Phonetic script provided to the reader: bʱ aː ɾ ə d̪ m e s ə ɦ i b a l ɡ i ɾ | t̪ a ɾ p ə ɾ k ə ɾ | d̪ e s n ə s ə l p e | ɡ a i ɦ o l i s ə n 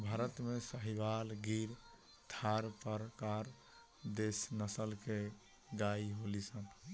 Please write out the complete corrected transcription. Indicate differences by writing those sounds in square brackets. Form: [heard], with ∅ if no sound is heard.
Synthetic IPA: bʱ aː ɾ ə [t̪] m e s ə ɦ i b a l ɡ i ɾ | [t̪ʰ] a ɾ p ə ɾ k [a] ɾ | d̪ e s n ə s ə l [k] e | ɡ a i ɦ o l i s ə n